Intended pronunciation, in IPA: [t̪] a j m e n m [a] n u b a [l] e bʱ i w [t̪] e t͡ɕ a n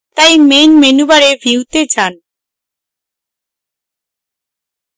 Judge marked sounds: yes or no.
yes, no, no, yes

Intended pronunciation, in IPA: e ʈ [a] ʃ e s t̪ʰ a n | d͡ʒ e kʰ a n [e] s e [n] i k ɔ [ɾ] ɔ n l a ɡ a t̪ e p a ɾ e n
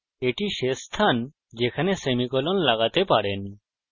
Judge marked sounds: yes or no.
no, yes, no, no

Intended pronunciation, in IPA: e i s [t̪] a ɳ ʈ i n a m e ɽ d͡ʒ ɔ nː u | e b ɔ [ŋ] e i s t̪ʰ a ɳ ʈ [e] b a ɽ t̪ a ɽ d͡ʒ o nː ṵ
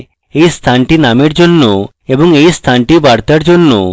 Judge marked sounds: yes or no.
no, yes, no

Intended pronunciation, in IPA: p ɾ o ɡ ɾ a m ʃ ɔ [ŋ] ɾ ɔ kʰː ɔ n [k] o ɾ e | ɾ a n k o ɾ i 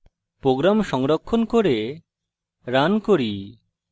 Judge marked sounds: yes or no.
yes, yes

